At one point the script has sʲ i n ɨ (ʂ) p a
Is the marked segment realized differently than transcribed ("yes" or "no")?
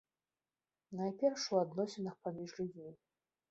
yes